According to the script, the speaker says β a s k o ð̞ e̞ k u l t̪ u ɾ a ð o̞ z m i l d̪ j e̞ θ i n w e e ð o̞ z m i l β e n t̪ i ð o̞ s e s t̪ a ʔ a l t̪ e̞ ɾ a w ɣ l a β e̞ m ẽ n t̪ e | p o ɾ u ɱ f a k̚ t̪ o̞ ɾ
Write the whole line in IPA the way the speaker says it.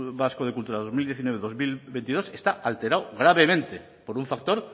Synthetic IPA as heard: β a s k o ð̞ e̞ k u l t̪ u ɾ a ð o̞ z m i l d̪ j e̞ θ i n w e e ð o̞ z m i l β e n t̪ i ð o̞ s e s t̪ a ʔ a l t̪ e̞ ɾ a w ɣ ɾ a β e̞ m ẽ n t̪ e | p o ɾ u ɱ f a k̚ t̪ o̞ ɾ